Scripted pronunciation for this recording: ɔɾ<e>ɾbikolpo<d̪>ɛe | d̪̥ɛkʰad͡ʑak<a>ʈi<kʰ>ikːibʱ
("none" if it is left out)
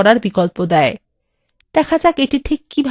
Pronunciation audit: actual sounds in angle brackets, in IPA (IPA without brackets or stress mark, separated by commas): a, d̪, e, ʈʰ